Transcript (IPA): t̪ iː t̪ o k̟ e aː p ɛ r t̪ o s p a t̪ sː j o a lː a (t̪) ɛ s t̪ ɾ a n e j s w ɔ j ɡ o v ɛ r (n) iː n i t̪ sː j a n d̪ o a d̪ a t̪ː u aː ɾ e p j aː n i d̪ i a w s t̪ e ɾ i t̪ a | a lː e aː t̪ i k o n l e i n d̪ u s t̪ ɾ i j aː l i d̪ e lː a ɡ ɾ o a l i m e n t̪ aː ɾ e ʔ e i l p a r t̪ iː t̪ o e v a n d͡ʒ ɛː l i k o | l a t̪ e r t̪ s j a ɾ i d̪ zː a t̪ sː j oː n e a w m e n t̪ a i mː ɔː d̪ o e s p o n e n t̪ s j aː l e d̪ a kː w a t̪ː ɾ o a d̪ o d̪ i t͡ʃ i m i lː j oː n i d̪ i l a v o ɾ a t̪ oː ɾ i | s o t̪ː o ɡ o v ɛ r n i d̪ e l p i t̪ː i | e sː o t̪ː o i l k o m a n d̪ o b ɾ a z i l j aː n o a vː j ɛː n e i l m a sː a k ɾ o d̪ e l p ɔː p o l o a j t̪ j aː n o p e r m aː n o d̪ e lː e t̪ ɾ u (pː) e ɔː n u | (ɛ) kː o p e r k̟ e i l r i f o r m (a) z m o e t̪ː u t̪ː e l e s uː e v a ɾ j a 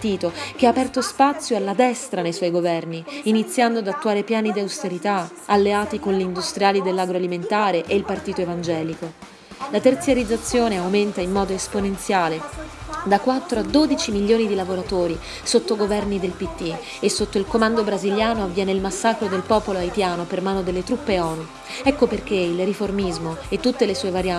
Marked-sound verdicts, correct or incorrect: incorrect: d̪, correct, correct, correct, incorrect: i

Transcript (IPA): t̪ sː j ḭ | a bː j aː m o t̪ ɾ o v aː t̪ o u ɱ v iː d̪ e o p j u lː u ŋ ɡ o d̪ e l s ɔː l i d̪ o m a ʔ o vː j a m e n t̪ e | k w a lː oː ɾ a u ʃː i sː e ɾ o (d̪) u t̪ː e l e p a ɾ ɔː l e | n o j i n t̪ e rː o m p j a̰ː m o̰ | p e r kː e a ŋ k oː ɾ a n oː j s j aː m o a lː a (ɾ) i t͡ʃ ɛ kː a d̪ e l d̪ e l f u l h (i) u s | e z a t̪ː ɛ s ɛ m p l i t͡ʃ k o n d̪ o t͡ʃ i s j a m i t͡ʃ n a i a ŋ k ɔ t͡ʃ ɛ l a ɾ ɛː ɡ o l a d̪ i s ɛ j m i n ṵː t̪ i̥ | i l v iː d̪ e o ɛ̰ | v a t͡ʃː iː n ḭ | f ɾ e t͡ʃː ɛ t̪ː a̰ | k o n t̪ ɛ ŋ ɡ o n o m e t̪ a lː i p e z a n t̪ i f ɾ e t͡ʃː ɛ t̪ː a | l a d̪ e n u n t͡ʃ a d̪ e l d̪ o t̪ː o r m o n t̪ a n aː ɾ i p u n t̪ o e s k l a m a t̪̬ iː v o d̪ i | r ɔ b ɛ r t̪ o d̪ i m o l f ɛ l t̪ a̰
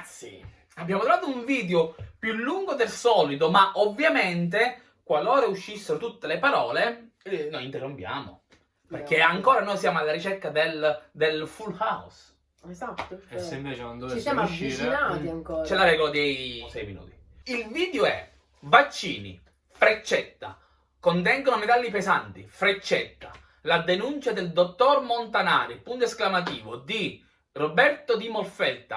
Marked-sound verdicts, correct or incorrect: incorrect: t̪, correct, incorrect: a

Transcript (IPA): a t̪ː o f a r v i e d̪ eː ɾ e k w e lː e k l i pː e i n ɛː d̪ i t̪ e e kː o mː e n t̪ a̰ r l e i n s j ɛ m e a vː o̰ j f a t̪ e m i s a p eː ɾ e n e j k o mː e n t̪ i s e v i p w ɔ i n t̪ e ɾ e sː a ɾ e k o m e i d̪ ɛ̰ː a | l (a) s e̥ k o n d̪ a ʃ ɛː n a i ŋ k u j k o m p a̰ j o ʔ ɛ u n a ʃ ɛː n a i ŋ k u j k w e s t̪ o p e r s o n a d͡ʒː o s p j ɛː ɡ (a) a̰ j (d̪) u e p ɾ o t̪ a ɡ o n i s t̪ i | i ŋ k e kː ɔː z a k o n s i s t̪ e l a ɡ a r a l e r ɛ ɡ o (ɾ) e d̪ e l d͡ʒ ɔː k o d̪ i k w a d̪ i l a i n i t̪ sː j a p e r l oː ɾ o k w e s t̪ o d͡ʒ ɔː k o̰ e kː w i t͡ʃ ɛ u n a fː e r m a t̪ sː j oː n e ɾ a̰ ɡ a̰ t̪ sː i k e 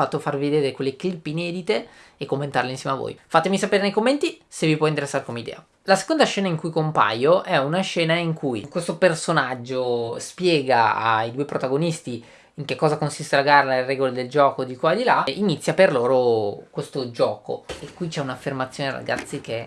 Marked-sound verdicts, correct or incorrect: correct, correct, correct, incorrect: l

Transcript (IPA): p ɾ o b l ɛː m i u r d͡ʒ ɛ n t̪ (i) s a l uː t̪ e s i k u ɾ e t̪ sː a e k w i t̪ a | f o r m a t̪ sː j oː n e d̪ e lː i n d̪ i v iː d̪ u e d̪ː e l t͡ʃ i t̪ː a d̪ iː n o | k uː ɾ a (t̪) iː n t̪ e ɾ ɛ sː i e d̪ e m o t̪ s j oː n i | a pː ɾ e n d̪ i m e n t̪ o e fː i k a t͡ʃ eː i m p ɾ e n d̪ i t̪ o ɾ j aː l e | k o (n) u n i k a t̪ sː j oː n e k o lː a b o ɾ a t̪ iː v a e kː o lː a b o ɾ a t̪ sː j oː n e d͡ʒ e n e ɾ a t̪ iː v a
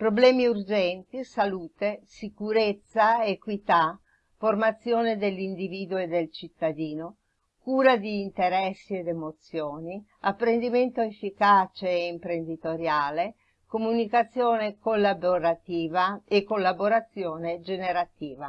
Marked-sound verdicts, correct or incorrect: correct, incorrect: d̪, incorrect: m

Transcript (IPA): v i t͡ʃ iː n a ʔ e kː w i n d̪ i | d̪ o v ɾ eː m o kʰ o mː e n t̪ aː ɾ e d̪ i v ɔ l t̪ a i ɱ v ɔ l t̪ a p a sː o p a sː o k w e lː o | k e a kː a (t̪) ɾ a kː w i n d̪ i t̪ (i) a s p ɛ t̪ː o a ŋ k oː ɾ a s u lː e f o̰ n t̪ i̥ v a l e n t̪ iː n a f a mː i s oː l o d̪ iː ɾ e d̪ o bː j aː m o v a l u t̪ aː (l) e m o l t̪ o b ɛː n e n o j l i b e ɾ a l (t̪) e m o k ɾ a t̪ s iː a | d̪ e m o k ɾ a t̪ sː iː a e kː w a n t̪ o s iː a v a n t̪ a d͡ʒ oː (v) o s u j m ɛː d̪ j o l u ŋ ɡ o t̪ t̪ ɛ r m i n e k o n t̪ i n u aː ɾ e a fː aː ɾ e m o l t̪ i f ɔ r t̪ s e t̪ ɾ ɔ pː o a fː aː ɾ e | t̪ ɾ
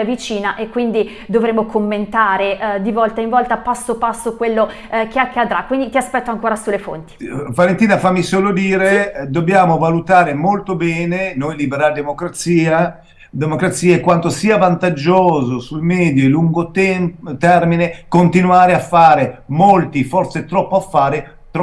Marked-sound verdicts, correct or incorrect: incorrect: d̪, correct, incorrect: ɾ, incorrect: d̪, incorrect: z

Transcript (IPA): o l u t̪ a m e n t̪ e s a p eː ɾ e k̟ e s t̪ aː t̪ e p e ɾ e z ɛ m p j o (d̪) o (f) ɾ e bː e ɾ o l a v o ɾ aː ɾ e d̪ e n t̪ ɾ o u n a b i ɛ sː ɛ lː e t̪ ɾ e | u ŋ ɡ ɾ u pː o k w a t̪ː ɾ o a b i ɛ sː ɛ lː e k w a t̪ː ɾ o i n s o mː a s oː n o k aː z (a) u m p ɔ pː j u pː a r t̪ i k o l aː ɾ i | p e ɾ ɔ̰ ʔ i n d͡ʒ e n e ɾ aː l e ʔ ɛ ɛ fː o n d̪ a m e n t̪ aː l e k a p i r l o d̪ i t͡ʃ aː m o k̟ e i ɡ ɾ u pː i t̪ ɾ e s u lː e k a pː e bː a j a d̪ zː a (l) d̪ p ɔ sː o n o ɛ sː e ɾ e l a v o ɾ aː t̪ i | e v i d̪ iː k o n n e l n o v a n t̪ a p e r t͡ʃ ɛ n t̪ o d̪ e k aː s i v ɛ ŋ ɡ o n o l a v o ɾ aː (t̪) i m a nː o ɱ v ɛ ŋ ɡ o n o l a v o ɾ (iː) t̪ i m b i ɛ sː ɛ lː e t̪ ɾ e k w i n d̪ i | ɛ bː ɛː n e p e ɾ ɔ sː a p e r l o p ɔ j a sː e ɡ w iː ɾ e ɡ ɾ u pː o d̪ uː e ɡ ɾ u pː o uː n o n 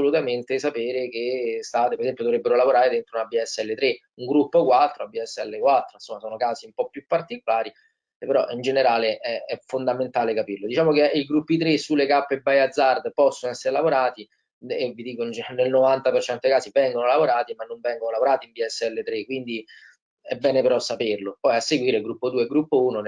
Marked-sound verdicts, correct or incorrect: correct, incorrect: v, incorrect: i, incorrect: r, correct, incorrect: aː

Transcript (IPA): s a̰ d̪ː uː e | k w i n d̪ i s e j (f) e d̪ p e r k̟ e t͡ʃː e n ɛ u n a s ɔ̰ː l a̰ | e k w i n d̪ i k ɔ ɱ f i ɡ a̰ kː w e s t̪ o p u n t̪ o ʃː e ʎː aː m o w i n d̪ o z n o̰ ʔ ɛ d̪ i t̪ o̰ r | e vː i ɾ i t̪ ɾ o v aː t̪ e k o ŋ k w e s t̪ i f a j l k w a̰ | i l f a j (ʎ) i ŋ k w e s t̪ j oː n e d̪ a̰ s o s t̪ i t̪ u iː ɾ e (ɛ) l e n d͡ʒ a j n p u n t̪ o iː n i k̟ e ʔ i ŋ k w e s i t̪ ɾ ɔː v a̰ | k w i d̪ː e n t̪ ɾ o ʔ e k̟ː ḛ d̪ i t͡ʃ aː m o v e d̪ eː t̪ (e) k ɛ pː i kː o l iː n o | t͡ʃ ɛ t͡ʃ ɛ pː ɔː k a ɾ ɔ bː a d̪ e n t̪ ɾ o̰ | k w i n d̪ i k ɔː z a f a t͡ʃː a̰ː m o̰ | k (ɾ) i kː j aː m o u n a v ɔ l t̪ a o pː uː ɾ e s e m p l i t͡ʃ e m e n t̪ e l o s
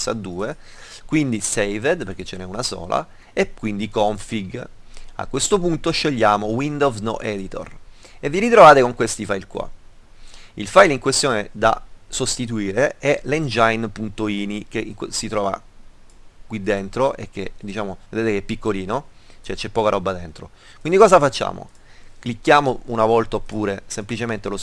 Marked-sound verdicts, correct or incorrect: incorrect: v, incorrect: l, correct, correct, incorrect: l

